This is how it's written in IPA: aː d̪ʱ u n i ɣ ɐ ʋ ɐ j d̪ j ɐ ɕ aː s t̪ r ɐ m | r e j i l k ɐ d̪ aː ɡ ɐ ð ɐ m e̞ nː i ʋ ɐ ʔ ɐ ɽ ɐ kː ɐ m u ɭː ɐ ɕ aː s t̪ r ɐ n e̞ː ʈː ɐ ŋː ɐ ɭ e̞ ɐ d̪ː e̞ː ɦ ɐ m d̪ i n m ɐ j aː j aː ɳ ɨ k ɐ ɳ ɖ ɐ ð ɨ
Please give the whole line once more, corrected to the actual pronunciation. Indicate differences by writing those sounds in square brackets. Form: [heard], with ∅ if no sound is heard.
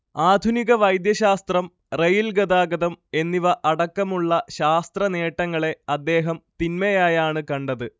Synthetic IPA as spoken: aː d̪ʱ u n i ɣ ɐ ʋ ɐ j d̪ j ɐ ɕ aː s t̪ r ɐ m | r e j i l [ɡ] ɐ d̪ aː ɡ ɐ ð ɐ m e̞ nː i ʋ ɐ ʔ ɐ ɽ ɐ kː ɐ m u ɭː ɐ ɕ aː s t̪ r ɐ n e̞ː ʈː ɐ ŋː ɐ ɭ e̞ ɐ d̪ː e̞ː ɦ ɐ m [t̪] i n m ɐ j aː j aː ɳ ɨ k ɐ ɳ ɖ ɐ ð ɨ